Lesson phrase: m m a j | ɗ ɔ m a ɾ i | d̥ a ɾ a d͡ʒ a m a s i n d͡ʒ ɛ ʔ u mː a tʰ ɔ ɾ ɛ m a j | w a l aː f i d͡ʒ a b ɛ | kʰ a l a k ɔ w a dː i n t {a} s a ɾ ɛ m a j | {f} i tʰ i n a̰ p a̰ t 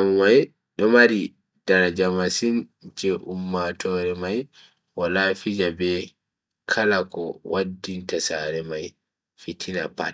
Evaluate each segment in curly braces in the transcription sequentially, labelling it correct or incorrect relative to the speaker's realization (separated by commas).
correct, correct